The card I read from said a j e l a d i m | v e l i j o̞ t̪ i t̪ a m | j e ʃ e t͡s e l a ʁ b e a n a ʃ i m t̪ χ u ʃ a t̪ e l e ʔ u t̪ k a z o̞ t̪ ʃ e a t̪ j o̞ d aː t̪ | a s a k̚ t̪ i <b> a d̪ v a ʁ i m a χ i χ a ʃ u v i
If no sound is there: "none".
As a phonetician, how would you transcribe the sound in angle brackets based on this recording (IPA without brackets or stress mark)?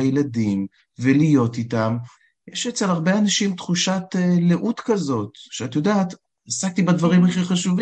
b